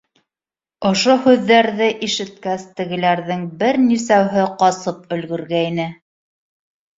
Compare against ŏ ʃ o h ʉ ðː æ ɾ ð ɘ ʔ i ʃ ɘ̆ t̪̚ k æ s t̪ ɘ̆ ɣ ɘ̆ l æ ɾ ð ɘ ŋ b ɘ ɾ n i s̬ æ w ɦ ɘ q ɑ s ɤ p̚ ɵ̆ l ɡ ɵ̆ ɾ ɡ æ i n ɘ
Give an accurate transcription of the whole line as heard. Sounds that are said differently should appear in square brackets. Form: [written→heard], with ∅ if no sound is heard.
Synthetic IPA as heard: ŏ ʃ o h ʉ ðː æ ɾ ð ɘ ʔ i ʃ ɘ̆ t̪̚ k æ s t̪ ɘ̆ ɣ ɘ̆ l æ ɾ ð ɘ ŋ b ɘ ɾ n i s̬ æ w ɦ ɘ q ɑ s ɤ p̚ ɵ̆ l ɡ ɵ̆ ɾ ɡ æ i n ɘ